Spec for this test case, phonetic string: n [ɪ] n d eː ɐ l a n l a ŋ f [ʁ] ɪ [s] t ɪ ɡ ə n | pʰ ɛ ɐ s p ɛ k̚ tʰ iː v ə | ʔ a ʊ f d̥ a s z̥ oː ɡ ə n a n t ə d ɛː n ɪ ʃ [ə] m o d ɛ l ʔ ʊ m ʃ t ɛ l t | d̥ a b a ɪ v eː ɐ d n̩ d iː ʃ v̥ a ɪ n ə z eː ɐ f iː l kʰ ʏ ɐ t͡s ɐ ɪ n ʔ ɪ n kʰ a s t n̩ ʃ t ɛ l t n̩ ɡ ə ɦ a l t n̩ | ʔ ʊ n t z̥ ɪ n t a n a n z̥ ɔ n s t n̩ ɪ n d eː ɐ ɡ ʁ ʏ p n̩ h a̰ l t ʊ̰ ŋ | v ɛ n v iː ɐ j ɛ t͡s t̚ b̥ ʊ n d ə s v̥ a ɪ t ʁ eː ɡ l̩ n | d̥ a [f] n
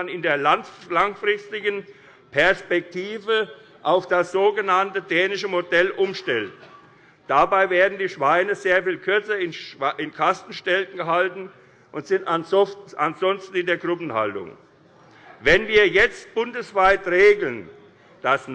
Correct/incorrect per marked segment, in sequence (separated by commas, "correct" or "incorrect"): correct, correct, correct, correct, incorrect